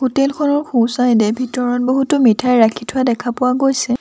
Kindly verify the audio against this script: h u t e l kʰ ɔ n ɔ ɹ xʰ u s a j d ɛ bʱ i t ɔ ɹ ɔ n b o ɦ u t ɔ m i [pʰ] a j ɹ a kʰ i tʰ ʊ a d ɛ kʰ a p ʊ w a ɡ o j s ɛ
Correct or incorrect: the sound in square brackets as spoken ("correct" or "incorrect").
incorrect